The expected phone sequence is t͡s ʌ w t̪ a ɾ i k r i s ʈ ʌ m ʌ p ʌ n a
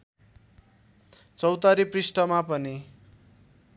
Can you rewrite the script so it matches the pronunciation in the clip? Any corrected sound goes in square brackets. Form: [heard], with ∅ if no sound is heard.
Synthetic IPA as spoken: t͡s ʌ w t̪ a ɾ i [p] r i s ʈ ʌ m [a] p ʌ n [i]